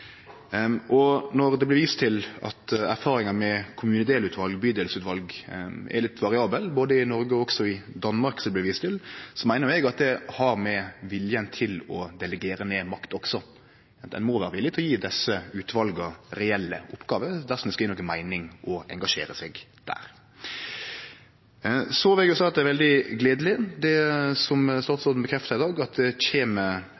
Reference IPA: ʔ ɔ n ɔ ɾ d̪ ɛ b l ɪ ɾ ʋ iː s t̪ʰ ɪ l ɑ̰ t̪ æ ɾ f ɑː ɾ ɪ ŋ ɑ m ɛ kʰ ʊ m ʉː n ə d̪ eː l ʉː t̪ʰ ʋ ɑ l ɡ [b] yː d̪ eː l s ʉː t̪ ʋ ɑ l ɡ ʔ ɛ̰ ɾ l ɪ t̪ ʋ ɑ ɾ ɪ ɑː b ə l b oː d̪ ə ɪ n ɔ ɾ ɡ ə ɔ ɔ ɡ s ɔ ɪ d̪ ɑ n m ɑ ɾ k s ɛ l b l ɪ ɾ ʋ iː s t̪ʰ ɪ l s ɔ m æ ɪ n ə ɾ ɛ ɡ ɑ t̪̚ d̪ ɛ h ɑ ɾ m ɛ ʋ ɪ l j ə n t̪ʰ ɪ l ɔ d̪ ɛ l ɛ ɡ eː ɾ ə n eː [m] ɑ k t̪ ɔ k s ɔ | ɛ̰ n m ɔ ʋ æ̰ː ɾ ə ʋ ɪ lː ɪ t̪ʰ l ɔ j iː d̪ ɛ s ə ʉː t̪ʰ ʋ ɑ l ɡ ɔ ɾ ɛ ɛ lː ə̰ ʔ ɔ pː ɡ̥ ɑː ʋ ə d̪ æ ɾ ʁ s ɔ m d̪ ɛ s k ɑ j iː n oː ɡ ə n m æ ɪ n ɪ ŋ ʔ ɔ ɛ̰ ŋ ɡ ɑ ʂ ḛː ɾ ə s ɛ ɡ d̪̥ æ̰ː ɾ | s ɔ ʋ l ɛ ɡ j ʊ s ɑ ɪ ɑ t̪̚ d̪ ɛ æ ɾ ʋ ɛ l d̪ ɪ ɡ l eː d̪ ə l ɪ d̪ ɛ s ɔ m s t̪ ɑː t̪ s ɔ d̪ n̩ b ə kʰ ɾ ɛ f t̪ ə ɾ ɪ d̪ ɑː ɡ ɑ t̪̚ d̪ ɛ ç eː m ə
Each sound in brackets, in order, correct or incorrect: correct, correct

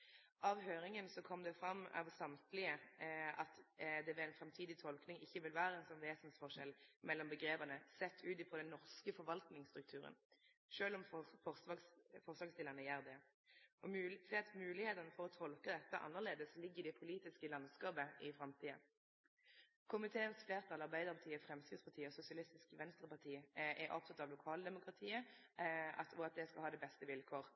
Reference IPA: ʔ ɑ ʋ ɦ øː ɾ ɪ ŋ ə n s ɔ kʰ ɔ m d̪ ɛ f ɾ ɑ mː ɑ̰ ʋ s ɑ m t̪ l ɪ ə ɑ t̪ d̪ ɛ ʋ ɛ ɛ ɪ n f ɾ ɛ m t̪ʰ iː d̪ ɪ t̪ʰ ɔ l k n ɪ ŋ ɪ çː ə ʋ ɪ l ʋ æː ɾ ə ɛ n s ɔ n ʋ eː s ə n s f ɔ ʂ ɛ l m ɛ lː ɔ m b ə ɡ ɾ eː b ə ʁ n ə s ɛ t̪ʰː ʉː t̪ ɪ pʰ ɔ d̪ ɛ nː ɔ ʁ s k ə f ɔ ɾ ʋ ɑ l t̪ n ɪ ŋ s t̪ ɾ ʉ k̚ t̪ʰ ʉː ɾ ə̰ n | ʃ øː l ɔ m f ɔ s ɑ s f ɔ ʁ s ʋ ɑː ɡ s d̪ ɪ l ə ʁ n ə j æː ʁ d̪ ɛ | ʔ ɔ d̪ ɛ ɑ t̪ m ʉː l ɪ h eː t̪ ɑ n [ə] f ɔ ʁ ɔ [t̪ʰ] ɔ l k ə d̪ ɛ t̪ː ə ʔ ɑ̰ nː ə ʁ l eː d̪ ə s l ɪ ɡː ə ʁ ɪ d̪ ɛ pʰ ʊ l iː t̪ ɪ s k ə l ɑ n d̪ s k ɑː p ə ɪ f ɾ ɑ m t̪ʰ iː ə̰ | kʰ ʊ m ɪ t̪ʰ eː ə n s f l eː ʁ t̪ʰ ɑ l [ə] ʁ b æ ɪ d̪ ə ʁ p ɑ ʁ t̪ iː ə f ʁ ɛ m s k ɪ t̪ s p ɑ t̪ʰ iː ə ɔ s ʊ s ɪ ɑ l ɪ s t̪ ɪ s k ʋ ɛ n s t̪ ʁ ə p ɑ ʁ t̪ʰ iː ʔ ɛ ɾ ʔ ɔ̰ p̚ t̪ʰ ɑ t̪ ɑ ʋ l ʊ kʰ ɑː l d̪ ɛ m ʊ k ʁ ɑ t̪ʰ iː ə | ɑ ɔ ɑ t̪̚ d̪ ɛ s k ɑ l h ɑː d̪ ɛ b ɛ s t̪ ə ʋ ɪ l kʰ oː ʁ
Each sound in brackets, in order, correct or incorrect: correct, correct, incorrect: ɑ

